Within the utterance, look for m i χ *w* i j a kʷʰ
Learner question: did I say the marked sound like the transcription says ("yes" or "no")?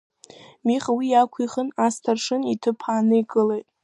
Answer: yes